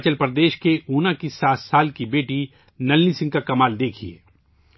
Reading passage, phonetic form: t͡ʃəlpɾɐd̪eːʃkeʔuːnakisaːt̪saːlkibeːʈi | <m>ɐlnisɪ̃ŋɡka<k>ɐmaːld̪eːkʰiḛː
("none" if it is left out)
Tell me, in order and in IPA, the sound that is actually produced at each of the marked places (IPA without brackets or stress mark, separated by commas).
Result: n, k